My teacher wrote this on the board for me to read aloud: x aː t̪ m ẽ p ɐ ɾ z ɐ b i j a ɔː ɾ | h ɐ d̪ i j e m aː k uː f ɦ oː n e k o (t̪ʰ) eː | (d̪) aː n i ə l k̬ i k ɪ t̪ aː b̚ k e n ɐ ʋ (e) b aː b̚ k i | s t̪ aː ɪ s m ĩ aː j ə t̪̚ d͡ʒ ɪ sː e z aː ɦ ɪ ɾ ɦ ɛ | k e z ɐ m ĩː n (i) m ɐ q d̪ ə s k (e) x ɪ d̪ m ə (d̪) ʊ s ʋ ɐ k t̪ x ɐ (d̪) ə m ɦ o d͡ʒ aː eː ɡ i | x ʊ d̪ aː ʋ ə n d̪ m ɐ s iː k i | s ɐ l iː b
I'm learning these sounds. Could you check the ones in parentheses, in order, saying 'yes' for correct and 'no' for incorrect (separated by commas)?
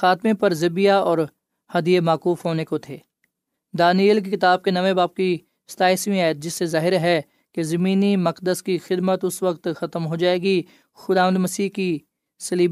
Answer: yes, yes, yes, yes, no, no, no